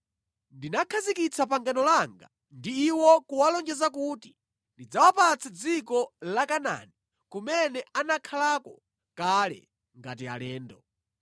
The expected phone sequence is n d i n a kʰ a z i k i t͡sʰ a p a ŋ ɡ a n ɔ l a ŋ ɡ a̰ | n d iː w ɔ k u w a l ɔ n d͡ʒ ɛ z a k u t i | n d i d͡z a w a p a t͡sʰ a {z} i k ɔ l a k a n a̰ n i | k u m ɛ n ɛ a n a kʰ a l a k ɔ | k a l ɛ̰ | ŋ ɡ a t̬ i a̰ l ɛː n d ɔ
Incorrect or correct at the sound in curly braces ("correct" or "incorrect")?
incorrect